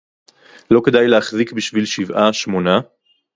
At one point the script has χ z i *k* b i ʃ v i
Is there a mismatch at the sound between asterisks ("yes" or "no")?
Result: no